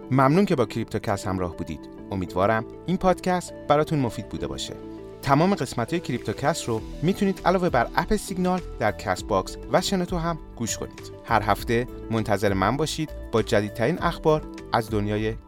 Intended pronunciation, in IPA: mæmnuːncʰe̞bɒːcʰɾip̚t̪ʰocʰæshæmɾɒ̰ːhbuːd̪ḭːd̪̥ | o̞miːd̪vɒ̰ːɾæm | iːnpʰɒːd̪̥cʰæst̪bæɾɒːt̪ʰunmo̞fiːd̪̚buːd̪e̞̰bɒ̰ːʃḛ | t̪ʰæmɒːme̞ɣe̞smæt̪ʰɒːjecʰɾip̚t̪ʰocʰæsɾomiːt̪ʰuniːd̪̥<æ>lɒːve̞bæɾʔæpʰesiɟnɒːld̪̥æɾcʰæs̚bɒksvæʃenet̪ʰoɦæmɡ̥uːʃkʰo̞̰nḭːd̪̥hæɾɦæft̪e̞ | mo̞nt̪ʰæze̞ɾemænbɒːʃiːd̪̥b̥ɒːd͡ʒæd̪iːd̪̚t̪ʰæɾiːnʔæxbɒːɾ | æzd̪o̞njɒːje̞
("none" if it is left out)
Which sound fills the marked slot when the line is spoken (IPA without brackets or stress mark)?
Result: æ